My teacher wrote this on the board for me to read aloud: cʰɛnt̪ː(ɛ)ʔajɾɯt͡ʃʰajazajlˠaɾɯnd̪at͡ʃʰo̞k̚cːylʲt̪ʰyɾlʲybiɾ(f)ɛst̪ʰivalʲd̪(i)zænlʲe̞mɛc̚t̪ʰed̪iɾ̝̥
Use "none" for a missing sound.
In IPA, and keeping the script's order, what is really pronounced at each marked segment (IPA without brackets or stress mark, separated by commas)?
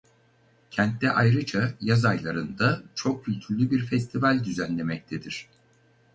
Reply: ɛ, f, y